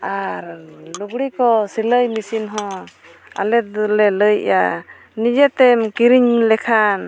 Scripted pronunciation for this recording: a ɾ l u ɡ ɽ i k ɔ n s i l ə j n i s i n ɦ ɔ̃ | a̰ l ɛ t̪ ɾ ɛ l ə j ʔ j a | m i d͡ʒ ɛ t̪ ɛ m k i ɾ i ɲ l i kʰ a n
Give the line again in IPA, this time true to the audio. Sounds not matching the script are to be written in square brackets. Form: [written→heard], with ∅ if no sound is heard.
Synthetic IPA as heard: a ɾ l u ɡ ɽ i k ɔ [n→∅] s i l ə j [n→m] i s i n ɦ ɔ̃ | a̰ l ɛ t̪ [ɾ→l] ɛ l ə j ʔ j a | [m→n] i d͡ʒ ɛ t̪ ɛ m k i ɾ i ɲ l [i→ɛ] kʰ a n

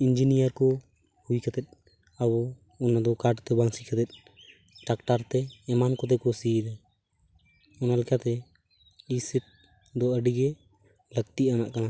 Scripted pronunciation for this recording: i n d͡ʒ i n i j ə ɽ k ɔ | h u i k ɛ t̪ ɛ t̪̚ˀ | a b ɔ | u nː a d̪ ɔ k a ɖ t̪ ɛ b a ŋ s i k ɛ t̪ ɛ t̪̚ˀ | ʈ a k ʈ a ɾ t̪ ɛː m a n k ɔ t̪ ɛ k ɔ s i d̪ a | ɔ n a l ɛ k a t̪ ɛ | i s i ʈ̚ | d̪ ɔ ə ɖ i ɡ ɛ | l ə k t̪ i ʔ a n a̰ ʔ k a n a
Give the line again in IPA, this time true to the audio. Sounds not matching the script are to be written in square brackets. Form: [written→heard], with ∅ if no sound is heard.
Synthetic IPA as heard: i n d͡ʒ i n i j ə [ɽ→ɾ] k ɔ | h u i k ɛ t̪ ɛ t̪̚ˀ | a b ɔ | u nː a d̪ ɔ k a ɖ t̪ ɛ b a ŋ s i k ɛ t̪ ɛ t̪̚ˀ | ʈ a k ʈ a ɾ t̪ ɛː m a n k ɔ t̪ ɛ k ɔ s i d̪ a | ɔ n a l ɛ k a t̪ ɛ | i s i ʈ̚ | d̪ ɔ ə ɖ i ɡ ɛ | l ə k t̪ i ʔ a n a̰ ʔ k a n a

